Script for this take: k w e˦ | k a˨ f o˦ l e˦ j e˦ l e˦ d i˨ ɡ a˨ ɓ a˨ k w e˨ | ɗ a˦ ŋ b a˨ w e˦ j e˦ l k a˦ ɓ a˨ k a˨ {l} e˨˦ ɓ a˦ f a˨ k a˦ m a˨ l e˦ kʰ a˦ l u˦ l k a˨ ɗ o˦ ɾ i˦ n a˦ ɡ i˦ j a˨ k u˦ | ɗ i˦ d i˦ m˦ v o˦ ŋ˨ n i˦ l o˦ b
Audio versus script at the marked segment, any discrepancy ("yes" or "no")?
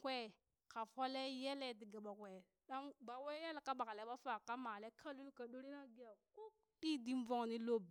no